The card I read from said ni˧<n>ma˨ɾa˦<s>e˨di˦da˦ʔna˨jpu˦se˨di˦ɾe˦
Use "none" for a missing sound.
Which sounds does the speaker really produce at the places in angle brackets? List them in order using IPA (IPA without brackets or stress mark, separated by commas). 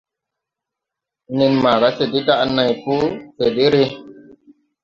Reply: n, s